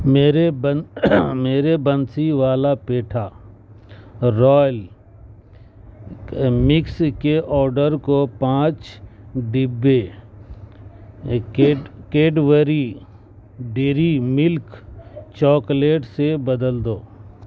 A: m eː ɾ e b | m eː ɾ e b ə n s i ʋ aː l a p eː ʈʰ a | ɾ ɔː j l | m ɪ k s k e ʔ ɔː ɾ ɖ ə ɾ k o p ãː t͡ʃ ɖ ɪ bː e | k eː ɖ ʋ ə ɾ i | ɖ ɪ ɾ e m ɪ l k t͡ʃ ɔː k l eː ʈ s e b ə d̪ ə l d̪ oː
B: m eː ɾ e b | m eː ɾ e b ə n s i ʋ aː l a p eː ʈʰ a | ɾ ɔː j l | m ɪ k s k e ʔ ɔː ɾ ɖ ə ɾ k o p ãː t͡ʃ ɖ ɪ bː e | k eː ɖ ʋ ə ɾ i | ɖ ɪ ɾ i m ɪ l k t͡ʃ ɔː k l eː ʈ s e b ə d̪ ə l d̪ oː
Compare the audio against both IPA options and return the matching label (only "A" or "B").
B